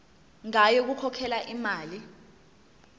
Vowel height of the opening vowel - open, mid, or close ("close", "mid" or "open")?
open